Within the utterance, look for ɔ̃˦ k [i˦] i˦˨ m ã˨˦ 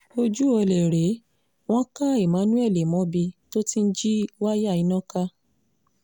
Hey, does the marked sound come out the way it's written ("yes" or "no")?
no